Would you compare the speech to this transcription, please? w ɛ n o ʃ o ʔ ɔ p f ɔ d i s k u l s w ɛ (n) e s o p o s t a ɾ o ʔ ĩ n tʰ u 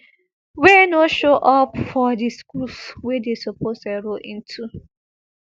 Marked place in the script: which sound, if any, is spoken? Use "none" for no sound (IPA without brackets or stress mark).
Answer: d